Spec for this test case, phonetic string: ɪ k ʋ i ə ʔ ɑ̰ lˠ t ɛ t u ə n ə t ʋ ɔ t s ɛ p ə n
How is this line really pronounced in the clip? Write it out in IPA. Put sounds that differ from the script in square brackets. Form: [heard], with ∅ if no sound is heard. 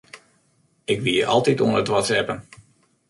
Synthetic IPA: ɪ k ʋ i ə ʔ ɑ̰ lˠ t [i] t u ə n ə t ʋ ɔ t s ɛ p ə n